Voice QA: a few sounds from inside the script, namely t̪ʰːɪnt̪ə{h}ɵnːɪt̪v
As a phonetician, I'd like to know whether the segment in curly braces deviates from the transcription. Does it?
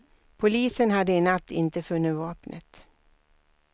yes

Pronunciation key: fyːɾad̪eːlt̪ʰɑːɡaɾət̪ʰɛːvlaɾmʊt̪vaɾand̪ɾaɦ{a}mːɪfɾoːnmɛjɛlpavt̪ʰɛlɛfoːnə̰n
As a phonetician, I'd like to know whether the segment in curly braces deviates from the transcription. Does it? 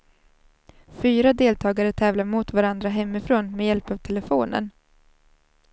yes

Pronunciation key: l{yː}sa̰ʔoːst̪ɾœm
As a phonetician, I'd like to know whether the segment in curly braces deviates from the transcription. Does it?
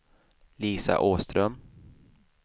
yes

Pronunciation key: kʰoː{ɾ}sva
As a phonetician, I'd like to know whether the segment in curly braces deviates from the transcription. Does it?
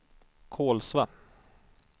yes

